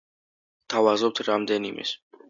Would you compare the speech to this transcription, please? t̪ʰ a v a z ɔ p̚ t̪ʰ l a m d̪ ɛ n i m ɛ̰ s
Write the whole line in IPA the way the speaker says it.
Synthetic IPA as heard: t̪ʰ a v a z ɔ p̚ t̪ʰ ɾ a m d̪ ɛ n i m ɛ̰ s